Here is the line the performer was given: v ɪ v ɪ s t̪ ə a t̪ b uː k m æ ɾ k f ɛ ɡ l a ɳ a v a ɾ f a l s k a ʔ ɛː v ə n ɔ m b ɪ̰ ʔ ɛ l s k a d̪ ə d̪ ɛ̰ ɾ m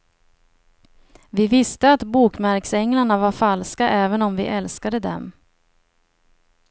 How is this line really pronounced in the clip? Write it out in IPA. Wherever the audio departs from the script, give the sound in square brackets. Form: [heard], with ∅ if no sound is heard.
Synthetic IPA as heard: v ɪ v ɪ s t̪ ə a t̪ b uː k m æ ɾ k [s] ɛ [ŋ] l a ɳ a v a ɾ f a l s k a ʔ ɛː v ə n ɔ m [v] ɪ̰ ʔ ɛ l s k a d̪ ə d̪ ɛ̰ [∅] m

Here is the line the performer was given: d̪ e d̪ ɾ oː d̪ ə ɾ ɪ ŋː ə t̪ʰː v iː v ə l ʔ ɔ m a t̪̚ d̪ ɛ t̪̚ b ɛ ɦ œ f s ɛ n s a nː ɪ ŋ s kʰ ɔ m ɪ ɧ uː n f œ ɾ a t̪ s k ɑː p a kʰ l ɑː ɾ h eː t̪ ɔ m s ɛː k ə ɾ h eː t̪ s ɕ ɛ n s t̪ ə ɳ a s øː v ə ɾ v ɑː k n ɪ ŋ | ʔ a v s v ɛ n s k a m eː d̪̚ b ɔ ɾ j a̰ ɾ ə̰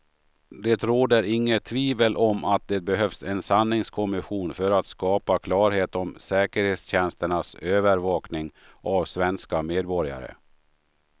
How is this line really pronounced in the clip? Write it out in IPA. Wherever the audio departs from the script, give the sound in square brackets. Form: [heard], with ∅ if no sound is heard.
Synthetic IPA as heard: d̪ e [t̪] ɾ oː d̪ ə ɾ ɪ ŋː ə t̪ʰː v iː v ə l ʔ ɔ m a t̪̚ d̪ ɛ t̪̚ b ɛ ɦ œ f s ɛ n s a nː ɪ ŋ s kʰ ɔ m ɪ ɧ uː n f œ ɾ a t̪ s k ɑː p a kʰ l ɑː ɾ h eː t̪ ɔ m s ɛː k ə ɾ h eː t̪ s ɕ ɛ n s t̪ ə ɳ a s øː v ə ɾ v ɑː k n ɪ ŋ | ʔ a v s v ɛ n s k a m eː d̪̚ b ɔ ɾ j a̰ ɾ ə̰

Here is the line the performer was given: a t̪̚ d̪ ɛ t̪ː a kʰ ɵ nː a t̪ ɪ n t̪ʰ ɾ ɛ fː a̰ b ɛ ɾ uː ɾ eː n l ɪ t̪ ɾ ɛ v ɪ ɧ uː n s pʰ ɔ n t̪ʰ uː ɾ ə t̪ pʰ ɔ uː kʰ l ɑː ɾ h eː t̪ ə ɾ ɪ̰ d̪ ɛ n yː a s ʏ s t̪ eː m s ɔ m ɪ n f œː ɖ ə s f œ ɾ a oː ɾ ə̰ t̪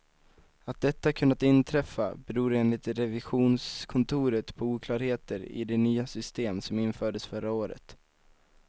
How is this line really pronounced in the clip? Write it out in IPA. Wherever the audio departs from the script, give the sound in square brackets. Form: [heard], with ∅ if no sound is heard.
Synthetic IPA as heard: a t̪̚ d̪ ɛ t̪ː a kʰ ɵ nː a t̪ ɪ n t̪ʰ ɾ ɛ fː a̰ b ɛ ɾ uː ɾ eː n l ɪ t̪ ɾ ɛ v ɪ ɧ uː n s [kʰ] ɔ n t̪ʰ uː ɾ ə t̪ pʰ ɔ uː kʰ l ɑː ɾ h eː t̪ ə ɾ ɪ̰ d̪ ɛ n yː a s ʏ s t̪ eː m s ɔ m ɪ n f œː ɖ ə s f œ ɾ a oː ɾ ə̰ t̪

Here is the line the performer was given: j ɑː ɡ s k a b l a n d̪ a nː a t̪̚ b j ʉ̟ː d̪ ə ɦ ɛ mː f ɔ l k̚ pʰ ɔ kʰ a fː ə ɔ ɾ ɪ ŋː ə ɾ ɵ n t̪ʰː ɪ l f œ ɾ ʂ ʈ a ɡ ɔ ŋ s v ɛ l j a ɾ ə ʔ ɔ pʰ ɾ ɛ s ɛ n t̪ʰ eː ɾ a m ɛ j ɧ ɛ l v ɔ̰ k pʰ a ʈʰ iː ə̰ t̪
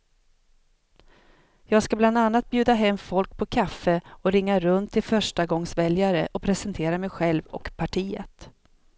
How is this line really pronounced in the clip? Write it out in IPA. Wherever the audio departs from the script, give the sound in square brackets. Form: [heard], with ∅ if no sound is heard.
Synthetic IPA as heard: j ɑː ɡ s k a b l a n d̪ a nː a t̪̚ b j ʉ̟ː d̪ [a] ɦ ɛ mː f ɔ l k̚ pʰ ɔ kʰ a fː ə ɔ ɾ ɪ ŋː [a] ɾ ɵ n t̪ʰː ɪ l f œ [∅] ʂ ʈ a ɡ ɔ ŋ s v ɛ l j a ɾ ə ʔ ɔ pʰ ɾ ɛ s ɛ n t̪ʰ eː ɾ a m ɛ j ɧ ɛ l v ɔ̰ k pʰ a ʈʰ iː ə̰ t̪

